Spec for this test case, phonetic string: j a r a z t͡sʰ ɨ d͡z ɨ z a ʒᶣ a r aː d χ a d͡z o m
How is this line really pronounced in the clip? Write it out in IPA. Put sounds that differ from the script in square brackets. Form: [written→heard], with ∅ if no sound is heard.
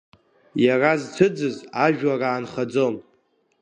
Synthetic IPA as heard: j a r a z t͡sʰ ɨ d͡z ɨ z a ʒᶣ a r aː [d→n] χ a d͡z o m